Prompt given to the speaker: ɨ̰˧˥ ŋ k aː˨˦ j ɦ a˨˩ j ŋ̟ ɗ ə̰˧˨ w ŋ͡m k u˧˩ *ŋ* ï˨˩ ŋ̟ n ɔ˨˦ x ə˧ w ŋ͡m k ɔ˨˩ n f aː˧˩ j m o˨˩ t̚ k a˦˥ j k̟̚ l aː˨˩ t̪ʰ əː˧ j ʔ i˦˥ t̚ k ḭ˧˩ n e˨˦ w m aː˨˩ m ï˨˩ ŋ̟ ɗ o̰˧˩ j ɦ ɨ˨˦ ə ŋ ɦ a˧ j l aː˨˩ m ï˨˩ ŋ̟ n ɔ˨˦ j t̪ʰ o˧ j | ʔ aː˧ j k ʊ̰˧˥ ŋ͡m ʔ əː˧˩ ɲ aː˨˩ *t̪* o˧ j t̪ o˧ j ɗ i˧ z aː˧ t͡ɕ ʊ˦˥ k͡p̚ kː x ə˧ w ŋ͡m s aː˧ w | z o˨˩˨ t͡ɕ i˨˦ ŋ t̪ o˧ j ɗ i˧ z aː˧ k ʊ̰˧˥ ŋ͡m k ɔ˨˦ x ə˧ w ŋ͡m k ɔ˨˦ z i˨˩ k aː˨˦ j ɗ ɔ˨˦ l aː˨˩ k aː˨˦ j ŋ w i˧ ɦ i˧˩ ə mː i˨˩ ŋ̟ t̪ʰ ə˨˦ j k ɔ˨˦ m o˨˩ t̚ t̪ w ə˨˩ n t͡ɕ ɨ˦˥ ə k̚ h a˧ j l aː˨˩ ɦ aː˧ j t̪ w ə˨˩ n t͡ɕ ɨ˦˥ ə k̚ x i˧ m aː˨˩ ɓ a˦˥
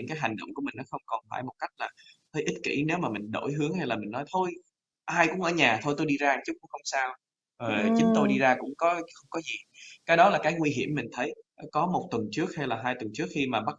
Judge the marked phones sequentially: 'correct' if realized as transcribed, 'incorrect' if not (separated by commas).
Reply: incorrect, incorrect